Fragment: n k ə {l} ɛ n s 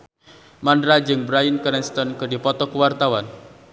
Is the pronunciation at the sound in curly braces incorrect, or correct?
incorrect